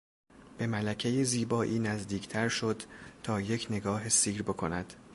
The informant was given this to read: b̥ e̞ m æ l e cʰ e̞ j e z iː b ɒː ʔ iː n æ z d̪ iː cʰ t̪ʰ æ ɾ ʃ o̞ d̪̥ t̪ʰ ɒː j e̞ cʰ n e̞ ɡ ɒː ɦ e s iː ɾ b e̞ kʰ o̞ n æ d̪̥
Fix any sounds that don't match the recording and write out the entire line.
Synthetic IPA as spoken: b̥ e̞ m æ l æ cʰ e̞ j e z iː b ɒː ʔ iː n æ z d̪ iː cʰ t̪ʰ æ ɾ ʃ o̞ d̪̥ t̪ʰ ɒː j e̞ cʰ n e̞ ɡ ɒː ɦ e s iː ɾ b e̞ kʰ o̞ n æ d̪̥

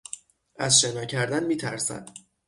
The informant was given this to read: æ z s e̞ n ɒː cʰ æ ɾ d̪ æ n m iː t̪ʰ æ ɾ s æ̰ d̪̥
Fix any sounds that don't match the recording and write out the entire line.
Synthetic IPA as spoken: æ z ʃ e̞ n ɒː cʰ æ ɾ d̪ æ n m iː t̪ʰ æ ɾ s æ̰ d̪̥

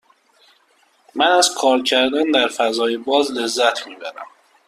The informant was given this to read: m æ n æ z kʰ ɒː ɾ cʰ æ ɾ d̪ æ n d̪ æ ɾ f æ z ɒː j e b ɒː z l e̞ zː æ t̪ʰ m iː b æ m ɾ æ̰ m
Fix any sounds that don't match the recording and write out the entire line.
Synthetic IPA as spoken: m æ n æ z kʰ ɒː ɾ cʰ æ ɾ d̪ æ n d̪ æ ɾ f æ z ɒː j e b ɒː z l e̞ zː æ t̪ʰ m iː b æ ɾ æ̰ m

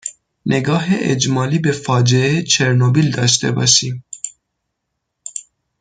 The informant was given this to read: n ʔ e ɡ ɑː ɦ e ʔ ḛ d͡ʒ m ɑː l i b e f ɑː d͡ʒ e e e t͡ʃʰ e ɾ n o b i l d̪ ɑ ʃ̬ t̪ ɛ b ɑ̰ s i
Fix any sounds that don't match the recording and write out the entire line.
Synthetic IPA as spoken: n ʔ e ɡ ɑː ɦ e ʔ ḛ d͡ʒ m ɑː l i b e f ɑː d͡ʒ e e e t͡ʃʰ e ɾ n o b i l d̪ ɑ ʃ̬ t̪ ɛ b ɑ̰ ʃ i

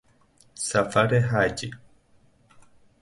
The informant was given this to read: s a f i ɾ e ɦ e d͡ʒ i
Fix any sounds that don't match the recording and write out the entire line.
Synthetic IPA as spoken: s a f a ɾ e ɦ a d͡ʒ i

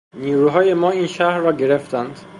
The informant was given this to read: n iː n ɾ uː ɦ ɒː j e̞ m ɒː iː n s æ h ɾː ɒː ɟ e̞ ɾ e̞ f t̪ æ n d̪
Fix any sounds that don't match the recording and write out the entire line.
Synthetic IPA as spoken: n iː ɾ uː ɦ ɒː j e̞ m ɒː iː n ʃ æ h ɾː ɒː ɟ e̞ ɾ e̞ f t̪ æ n d̪

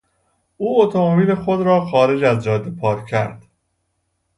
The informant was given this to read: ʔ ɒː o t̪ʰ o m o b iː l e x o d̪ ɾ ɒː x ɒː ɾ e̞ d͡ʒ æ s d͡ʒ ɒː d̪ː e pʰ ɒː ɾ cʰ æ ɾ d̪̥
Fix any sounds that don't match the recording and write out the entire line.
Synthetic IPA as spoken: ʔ uː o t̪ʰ o m o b iː l e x o d̪ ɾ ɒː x ɒː ɾ e̞ d͡ʒ æ z d͡ʒ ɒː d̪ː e pʰ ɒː ɾ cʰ æ ɾ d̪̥

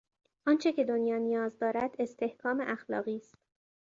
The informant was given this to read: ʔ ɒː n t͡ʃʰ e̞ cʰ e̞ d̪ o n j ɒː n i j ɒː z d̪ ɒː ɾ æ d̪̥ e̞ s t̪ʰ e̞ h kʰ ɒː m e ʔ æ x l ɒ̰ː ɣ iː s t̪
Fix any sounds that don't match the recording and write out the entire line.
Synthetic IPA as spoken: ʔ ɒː n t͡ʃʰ e̞ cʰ e̞ d̪ o n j ɒː n i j ɒː z d̪ ɒː ɾ æ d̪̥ e̞ s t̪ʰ e̞ h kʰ ɒː m e ʔ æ x l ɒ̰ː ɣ iː s t̪

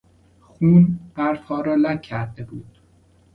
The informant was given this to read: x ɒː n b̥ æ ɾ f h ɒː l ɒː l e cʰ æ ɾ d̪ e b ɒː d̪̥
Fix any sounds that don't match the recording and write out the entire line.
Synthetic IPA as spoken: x uː n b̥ æ ɾ f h ɒː ɾ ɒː l æ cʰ æ ɾ d̪ e b uː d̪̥

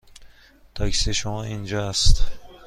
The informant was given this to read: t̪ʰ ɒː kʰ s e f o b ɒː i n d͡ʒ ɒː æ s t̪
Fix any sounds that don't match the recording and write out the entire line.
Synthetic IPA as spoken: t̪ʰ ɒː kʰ s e ʃ o m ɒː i n d͡ʒ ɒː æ s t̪

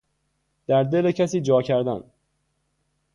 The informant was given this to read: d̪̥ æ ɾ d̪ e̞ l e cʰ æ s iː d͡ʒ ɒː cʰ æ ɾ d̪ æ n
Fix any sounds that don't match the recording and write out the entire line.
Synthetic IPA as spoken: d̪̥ æ ɾ d̪ e̞ l e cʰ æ s iː d͡ʒ ɒː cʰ æ ɾ d̪ æ n

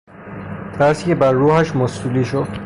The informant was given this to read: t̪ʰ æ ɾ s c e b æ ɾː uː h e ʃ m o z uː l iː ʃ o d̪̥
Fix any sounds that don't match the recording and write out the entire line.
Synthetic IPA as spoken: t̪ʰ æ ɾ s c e b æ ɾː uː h æ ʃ m o s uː l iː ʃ o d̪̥

